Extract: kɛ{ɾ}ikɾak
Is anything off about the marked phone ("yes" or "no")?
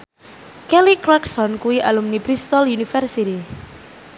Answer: yes